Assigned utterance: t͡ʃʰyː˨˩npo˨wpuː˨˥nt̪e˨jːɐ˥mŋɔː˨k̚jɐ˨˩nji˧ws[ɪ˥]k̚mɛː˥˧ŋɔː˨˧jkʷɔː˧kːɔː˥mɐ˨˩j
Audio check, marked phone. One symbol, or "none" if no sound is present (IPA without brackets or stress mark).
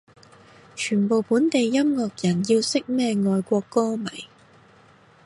ɪ˥